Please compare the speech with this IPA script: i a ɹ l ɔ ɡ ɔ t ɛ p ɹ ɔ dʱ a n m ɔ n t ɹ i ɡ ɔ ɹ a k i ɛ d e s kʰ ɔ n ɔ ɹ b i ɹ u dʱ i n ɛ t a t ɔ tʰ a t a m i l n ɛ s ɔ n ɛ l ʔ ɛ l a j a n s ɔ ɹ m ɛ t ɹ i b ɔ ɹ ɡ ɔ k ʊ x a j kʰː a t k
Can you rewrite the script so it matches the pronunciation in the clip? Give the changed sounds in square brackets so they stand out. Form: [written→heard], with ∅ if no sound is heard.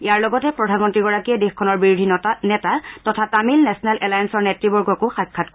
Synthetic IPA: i a ɹ l ɔ ɡ ɔ t ɛ p ɹ ɔ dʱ a n m ɔ n t ɹ i ɡ ɔ ɹ a k i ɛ d e [s→x] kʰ ɔ n ɔ ɹ b i ɹ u dʱ i n ɛ t a t ɔ tʰ a t a m i l n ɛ s ɔ n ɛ l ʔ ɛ l a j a n s ɔ ɹ [m→n] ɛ t ɹ i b ɔ ɹ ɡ ɔ k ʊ x a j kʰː a t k